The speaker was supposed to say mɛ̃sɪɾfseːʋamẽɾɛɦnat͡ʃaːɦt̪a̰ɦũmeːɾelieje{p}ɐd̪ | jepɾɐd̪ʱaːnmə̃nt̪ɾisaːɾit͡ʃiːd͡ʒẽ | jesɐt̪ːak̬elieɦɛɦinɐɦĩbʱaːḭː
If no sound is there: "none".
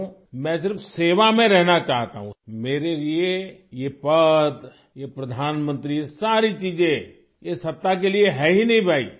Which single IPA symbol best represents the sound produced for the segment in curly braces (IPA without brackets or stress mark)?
p